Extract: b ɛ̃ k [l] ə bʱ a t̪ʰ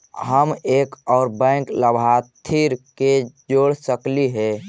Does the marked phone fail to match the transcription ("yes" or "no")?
no